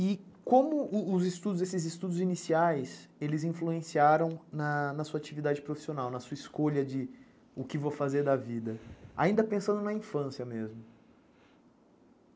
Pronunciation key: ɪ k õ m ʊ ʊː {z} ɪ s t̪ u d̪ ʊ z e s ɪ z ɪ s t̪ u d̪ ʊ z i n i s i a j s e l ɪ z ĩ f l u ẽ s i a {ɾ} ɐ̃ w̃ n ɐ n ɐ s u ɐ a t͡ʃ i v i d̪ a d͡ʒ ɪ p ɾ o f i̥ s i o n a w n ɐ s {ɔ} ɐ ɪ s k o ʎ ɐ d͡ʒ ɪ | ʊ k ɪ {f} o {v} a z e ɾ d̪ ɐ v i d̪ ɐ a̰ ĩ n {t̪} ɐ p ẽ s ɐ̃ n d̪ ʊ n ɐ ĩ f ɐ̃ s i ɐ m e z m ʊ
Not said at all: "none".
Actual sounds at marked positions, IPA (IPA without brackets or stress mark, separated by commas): z, ɾ, u, v, f, d̪